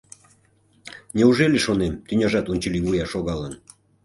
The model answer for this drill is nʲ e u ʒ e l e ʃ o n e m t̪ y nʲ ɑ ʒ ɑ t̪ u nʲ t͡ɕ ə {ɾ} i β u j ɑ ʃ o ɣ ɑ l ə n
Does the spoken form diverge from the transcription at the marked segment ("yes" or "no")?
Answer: yes